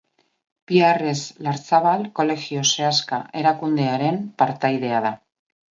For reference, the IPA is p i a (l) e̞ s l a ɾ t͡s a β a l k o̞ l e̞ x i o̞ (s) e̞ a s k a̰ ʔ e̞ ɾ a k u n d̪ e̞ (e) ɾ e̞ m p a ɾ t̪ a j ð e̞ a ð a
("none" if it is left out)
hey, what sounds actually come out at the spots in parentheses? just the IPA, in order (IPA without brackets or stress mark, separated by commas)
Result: r, s, a